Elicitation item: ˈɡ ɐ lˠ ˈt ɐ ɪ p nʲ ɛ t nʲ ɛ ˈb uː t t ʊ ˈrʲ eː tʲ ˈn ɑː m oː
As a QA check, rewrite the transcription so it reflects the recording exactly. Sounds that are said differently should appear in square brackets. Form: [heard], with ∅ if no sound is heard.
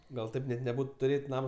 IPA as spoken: ˈɡ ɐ lˠ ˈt ɐ ɪ p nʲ ɛ t nʲ ɛ ˈb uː t t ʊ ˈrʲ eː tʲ ˈn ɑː m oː

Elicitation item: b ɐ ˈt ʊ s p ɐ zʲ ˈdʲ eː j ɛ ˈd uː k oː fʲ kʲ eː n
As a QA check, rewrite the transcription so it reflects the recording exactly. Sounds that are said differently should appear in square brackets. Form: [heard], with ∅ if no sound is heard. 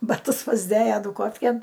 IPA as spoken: b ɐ ˈt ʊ s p ɐ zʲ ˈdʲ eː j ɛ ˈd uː k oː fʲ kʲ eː n

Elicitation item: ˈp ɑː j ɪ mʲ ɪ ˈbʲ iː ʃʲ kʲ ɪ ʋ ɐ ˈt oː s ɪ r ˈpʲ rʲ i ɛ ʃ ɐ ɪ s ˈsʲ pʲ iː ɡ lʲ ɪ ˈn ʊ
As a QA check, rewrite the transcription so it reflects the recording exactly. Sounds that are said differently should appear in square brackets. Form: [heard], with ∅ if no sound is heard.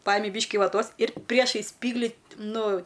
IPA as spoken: ˈp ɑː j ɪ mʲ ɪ ˈbʲ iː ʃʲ kʲ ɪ ʋ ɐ ˈt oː s ɪ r ˈpʲ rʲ i ɛ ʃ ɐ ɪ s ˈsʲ pʲ iː ɡ lʲ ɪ ˈn ʊ

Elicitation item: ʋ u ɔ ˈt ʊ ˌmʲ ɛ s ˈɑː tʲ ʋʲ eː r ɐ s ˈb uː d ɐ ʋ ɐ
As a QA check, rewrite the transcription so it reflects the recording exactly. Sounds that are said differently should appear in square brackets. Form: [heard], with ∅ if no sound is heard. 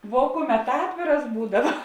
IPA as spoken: ʋ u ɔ [ˈk] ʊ ˌmʲ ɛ [t] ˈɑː tʲ ʋʲ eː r ɐ s ˈb uː d ɐ ʋ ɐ

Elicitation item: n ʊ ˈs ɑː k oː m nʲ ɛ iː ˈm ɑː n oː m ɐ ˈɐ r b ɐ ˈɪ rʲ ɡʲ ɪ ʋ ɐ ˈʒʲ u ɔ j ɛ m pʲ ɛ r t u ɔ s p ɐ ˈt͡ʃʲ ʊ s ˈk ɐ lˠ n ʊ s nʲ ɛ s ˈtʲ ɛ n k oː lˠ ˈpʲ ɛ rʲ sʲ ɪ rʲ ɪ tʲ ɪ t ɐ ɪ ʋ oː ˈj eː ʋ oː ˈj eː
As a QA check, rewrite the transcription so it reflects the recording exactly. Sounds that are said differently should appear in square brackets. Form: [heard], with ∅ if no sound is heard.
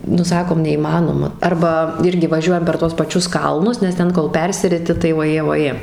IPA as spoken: n ʊ ˈs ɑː k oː m nʲ ɛ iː ˈm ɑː n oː m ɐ ˈɐ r b ɐ ˈɪ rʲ ɡʲ ɪ ʋ ɐ ˈʒʲ u ɔ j ɛ m pʲ ɛ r t u ɔ s p ɐ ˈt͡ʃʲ ʊ s ˈk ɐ lˠ n ʊ s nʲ ɛ s ˈtʲ ɛ n k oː lˠ ˈpʲ ɛ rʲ sʲ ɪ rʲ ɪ tʲ ɪ t ɐ ɪ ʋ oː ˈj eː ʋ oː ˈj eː

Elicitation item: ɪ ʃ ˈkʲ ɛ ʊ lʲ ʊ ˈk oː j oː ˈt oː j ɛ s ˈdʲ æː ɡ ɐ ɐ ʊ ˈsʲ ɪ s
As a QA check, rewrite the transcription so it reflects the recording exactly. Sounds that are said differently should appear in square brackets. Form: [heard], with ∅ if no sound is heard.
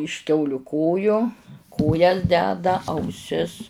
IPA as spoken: ɪ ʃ ˈkʲ ɛ ʊ lʲ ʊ ˈk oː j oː [ˈk] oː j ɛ s ˈdʲ æː [d] ɐ ɐ ʊ ˈsʲ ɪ s

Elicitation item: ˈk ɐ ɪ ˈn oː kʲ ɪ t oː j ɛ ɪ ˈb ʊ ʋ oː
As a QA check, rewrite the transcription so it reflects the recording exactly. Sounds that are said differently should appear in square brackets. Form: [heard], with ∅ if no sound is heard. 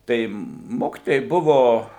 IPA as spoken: [ˈt] ɐ ɪ [ˈm] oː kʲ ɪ t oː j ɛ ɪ ˈb ʊ ʋ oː

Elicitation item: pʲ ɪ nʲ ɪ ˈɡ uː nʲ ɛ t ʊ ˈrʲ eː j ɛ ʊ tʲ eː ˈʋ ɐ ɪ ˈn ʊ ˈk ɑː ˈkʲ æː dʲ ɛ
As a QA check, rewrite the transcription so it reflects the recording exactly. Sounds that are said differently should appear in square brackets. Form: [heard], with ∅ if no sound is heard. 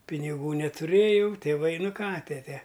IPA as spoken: pʲ ɪ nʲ ɪ ˈɡ uː nʲ ɛ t ʊ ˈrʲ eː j ɛ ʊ tʲ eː ˈʋ ɐ ɪ ˈn ʊ ˈk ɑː [ˈtʲ] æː [tʲ] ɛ

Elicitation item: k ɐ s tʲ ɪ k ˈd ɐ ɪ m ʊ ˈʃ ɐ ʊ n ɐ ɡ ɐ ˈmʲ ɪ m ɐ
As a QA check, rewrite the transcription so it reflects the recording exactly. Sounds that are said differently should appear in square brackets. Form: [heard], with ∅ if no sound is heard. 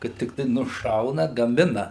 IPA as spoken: k ɐ [t] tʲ ɪ k [ˈt] ɐ ɪ [n] ʊ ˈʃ ɐ ʊ n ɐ ɡ ɐ ˈmʲ ɪ [n] ɐ

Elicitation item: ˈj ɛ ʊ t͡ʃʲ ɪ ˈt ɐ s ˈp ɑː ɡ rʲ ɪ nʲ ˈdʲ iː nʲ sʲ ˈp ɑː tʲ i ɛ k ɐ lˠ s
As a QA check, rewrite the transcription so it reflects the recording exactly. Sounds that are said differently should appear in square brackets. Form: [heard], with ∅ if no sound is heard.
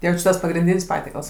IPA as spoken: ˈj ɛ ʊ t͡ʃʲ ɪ ˈt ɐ s ˈp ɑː ɡ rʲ ɪ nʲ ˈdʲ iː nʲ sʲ ˈp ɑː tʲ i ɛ k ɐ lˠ s

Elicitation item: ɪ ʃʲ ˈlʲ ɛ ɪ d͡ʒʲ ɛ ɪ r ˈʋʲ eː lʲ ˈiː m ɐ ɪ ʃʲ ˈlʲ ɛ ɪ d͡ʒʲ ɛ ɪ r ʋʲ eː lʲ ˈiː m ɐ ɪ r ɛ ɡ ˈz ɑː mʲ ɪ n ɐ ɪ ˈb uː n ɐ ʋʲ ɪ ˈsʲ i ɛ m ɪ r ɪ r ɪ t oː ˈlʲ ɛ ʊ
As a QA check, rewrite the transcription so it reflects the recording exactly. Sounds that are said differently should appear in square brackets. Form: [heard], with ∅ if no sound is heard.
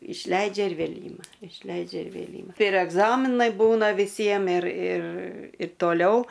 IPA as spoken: ɪ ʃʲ ˈlʲ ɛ ɪ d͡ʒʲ ɛ ɪ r ˈʋʲ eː lʲ ˈiː m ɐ ɪ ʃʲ ˈlʲ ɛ ɪ d͡ʒʲ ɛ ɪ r ʋʲ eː lʲ ˈiː m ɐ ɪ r ɛ ɡ ˈz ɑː mʲ ɪ n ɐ ɪ ˈb uː n ɐ ʋʲ ɪ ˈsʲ i ɛ m ɪ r ɪ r ɪ t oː ˈlʲ ɛ ʊ

